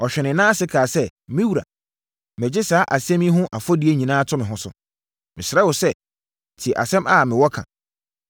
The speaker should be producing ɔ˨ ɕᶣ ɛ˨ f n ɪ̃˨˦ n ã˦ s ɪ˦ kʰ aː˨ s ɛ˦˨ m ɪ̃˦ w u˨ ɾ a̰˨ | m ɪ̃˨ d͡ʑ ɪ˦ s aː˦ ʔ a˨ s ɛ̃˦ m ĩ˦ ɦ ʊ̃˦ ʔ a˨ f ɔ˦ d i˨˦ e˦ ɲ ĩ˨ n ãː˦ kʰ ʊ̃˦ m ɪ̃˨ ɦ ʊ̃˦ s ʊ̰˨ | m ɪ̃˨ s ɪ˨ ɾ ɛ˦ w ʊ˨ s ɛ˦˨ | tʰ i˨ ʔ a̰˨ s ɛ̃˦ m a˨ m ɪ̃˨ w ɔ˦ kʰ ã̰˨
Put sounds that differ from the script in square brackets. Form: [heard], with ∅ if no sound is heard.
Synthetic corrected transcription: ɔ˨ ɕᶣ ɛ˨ [∅] n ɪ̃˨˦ n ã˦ s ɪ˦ kʰ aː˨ s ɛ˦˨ m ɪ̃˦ w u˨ ɾ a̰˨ | m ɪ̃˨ d͡ʑ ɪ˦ s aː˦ ʔ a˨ s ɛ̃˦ m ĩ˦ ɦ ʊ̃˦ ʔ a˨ f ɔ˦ d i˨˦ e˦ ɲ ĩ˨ n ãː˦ [tʰ] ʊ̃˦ m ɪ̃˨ ɦ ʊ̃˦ s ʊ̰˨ | m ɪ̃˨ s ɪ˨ ɾ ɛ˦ w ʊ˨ s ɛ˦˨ | tʰ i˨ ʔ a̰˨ s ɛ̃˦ m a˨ m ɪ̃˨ w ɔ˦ kʰ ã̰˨

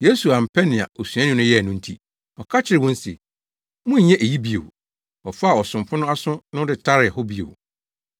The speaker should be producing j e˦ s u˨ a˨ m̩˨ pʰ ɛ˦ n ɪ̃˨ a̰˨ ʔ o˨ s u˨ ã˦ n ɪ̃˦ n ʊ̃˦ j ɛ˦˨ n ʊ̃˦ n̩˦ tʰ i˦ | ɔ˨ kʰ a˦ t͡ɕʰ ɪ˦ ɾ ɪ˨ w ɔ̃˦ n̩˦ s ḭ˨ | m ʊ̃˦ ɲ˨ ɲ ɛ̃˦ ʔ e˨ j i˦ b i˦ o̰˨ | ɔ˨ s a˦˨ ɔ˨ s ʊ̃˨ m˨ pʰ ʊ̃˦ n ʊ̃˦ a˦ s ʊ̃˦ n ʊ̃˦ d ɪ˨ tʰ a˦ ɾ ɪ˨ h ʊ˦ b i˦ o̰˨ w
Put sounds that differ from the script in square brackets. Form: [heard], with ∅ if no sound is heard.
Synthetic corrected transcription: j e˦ s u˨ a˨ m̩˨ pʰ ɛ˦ n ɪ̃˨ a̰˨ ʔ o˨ s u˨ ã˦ n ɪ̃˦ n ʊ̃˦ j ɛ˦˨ n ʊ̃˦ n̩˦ tʰ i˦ | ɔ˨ kʰ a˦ t͡ɕʰ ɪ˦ ɾ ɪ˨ w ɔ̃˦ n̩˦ s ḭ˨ | m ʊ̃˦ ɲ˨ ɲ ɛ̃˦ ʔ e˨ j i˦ b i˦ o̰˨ | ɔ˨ [f] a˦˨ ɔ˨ s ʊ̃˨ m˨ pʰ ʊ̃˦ n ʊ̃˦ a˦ s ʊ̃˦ n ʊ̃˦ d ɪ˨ tʰ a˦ ɾ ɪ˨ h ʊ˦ b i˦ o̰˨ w

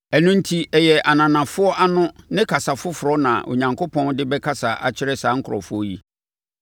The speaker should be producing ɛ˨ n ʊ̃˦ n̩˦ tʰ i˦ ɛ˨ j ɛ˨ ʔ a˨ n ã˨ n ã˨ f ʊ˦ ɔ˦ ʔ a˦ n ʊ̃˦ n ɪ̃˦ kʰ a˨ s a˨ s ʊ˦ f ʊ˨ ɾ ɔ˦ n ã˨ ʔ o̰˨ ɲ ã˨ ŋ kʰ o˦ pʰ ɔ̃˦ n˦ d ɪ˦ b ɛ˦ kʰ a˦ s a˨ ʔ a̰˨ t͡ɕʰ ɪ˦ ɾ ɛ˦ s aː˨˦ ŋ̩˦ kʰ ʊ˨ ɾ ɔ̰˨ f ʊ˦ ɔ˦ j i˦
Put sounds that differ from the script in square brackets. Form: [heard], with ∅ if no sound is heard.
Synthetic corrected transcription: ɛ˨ n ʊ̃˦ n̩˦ tʰ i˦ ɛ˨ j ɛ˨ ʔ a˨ n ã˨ n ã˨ f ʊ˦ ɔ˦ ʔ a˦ n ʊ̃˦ n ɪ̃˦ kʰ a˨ s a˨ [f] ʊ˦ f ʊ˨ ɾ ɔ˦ n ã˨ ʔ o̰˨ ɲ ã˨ ŋ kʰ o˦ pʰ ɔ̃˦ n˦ d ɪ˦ b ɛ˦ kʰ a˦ s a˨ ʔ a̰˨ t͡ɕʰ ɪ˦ ɾ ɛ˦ s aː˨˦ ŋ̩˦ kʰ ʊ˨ ɾ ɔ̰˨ f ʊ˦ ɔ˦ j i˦

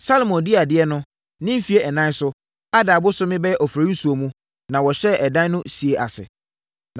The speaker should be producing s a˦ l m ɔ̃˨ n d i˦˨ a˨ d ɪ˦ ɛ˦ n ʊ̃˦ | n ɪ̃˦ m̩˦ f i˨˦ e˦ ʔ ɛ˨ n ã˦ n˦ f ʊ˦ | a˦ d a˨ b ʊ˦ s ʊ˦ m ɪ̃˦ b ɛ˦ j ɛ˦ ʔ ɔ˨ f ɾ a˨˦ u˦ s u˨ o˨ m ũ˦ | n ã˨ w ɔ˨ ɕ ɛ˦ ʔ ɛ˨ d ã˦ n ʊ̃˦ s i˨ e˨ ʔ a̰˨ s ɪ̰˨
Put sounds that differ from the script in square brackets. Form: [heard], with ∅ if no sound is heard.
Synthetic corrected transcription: s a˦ l m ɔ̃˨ n d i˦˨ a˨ d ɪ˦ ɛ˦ n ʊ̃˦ | n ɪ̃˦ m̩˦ f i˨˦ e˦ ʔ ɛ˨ n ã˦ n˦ [s] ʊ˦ | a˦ d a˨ b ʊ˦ s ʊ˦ m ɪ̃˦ b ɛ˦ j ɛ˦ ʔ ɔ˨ f ɾ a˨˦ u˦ s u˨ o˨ m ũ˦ | n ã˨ w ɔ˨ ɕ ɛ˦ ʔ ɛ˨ d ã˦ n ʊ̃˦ s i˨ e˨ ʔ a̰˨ s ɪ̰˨

